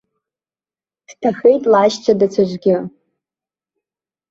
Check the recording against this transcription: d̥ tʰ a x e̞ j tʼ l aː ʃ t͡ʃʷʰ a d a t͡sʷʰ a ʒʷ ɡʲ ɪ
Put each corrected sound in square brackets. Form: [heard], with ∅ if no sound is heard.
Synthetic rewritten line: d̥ tʰ a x e̞ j tʼ l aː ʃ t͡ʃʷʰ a d a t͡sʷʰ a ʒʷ ɡʲ ɪ